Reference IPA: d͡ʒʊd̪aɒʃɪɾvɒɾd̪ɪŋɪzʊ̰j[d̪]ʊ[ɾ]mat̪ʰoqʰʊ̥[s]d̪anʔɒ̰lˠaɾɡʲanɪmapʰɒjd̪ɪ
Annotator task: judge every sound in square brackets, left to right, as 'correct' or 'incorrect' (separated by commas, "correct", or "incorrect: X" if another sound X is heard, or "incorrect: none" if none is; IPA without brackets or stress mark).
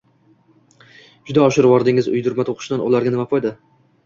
correct, correct, incorrect: ʃ